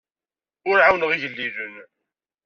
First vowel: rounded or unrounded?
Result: rounded